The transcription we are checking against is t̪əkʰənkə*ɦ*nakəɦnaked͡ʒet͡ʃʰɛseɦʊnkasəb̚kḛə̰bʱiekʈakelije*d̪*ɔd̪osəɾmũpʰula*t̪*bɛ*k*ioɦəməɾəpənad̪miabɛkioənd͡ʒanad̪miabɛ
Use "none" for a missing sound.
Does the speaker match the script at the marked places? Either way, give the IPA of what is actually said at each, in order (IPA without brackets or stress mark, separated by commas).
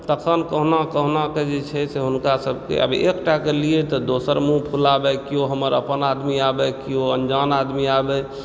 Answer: ɦ, t̪, none, k